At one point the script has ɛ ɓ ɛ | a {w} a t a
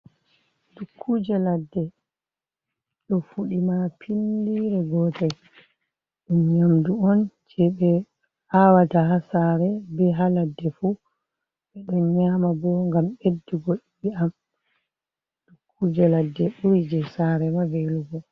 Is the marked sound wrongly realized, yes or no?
no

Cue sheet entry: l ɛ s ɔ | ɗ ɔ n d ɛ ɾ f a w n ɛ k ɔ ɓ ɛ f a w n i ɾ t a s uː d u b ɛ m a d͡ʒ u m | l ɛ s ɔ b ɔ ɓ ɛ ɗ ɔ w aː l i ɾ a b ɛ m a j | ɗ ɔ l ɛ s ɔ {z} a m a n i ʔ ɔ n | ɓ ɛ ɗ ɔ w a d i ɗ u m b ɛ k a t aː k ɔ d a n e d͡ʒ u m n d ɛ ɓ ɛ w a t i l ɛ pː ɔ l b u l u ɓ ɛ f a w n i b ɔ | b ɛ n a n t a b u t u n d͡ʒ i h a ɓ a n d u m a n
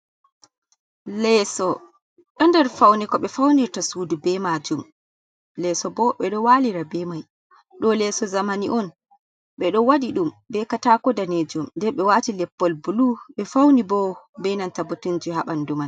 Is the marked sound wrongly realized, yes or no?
no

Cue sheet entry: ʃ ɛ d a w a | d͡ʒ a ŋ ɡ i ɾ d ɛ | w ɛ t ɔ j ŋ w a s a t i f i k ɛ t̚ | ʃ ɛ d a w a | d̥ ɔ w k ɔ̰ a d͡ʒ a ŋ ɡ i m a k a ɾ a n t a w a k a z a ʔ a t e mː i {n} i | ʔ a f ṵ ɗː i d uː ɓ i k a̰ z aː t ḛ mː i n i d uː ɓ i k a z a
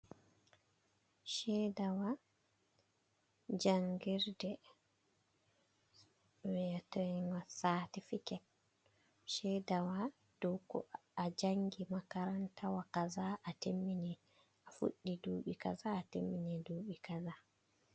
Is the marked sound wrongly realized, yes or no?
no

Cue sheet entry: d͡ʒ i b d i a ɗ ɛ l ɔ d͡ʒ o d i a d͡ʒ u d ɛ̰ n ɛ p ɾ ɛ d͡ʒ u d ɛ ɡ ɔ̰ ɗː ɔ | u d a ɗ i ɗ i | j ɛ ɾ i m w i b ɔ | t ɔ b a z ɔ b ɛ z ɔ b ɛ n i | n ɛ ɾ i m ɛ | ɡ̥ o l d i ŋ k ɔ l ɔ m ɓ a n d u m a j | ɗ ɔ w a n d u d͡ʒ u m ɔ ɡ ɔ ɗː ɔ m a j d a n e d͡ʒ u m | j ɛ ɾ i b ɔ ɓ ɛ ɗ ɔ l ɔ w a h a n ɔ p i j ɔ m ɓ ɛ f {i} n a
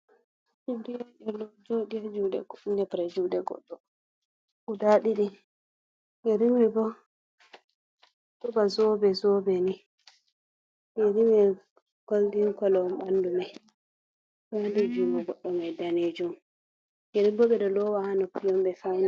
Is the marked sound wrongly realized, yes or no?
yes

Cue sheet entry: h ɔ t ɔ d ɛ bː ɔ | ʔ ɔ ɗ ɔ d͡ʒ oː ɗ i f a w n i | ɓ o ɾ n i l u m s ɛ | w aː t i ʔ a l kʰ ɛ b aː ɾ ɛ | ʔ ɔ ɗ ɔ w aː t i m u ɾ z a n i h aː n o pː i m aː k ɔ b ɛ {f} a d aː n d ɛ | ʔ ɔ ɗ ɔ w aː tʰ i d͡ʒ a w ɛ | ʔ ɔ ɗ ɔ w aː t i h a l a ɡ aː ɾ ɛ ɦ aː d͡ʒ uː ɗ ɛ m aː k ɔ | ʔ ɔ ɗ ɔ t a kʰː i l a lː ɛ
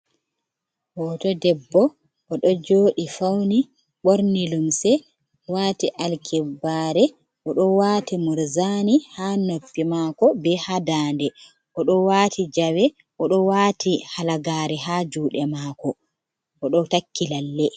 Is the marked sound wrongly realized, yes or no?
yes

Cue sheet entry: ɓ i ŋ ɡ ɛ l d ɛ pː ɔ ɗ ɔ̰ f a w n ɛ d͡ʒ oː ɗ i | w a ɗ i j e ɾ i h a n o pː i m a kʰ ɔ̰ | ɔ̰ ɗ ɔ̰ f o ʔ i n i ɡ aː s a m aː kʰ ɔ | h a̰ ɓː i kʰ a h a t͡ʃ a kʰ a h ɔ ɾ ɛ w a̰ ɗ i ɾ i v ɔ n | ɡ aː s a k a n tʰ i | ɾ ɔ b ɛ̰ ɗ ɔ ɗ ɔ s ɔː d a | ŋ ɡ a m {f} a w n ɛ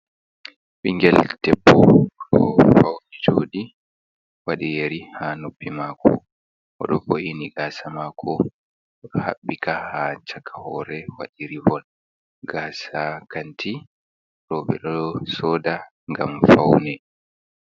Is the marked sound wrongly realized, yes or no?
no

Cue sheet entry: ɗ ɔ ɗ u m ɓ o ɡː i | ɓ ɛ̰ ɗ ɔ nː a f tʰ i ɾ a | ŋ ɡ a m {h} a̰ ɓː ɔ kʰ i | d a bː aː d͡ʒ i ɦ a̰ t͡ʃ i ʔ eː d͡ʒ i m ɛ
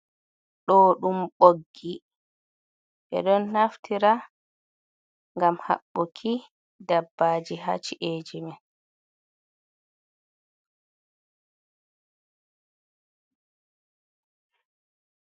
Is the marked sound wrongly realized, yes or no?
no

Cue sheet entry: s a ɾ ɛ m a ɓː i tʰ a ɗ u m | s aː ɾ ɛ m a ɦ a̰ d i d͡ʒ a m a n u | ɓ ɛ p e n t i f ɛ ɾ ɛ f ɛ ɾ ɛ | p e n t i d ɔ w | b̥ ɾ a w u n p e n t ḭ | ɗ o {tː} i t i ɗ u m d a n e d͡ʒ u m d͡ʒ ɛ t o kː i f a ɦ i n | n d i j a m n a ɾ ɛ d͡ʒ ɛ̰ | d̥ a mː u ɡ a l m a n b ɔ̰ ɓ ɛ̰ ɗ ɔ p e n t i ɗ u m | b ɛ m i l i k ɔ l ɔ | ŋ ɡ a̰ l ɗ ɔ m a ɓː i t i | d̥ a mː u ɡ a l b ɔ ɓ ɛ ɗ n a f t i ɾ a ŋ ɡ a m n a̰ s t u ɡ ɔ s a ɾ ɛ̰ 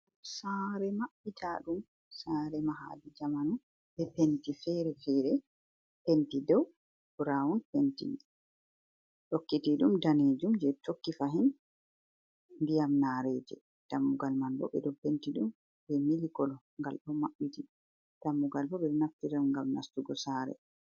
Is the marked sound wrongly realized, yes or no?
yes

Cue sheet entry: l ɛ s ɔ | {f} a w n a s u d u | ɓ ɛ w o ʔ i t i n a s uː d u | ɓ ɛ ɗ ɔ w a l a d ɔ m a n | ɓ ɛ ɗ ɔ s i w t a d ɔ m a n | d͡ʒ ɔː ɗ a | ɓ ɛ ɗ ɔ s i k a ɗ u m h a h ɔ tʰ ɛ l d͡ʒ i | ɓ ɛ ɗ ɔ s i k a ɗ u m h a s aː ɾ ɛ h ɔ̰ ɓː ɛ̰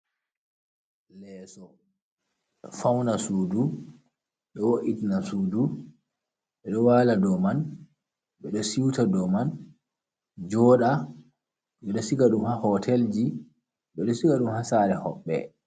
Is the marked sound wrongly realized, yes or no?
no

